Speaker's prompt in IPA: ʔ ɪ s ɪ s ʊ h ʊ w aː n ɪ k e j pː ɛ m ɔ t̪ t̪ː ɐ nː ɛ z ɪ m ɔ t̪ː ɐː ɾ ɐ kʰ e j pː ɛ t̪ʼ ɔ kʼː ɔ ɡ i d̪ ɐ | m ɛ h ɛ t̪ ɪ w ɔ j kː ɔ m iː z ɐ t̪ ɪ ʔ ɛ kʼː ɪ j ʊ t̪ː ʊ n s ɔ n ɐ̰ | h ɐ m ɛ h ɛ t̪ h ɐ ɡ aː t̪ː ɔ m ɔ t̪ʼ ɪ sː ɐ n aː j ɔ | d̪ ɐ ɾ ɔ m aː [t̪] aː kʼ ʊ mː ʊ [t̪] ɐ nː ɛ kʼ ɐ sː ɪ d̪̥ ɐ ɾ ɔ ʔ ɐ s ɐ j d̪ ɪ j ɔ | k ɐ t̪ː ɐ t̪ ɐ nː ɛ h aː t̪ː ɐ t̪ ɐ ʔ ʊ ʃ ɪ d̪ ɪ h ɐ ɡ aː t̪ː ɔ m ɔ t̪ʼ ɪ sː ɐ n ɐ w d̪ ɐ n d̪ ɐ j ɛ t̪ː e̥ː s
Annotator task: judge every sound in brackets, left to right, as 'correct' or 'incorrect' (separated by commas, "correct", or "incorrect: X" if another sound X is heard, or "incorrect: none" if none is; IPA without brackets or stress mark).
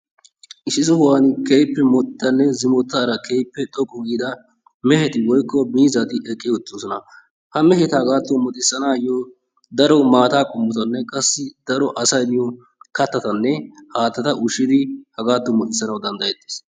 correct, correct